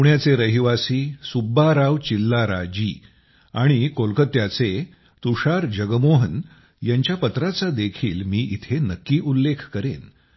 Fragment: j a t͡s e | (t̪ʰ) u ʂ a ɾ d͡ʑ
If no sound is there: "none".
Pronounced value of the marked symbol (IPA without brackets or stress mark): t̪